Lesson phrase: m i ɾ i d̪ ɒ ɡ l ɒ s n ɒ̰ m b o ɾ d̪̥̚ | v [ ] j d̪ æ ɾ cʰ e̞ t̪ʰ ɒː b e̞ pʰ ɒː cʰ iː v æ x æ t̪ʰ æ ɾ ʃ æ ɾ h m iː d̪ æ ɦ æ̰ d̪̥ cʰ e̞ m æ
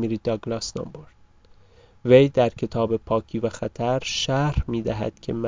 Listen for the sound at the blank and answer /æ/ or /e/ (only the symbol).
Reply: e